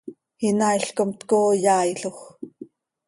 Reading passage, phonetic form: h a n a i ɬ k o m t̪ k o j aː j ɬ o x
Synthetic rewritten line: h i n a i ɬ k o m t̪ k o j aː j ɬ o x